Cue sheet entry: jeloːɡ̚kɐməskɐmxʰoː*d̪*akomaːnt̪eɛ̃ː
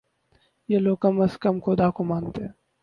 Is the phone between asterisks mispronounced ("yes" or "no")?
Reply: no